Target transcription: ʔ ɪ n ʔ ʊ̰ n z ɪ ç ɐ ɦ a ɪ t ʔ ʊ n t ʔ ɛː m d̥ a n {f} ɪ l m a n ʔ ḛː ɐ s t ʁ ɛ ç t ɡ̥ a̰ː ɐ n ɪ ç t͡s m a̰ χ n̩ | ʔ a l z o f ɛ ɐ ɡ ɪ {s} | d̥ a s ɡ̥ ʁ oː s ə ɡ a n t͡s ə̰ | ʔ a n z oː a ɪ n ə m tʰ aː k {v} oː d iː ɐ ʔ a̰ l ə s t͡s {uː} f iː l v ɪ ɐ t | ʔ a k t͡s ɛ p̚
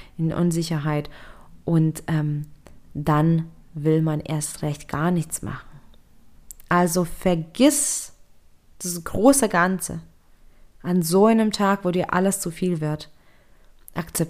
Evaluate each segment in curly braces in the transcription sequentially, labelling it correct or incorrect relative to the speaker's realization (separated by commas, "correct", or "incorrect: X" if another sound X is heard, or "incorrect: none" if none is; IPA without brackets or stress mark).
incorrect: v, correct, correct, incorrect: u